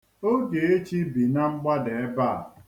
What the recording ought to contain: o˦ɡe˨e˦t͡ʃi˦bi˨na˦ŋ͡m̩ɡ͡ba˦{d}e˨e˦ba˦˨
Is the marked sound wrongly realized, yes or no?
no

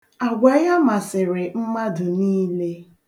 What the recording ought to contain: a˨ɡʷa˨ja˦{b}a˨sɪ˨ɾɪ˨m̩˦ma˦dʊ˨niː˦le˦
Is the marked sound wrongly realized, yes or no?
yes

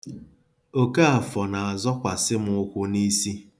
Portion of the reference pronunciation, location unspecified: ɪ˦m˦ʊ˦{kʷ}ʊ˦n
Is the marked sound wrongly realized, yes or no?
no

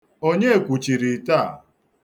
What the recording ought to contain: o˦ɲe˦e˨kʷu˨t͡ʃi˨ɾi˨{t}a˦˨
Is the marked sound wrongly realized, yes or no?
no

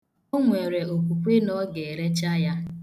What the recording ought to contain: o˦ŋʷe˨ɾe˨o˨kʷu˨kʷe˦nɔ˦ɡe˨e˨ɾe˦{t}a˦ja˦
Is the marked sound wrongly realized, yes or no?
yes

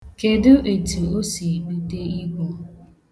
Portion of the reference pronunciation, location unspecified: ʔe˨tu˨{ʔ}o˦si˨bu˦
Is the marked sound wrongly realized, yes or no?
yes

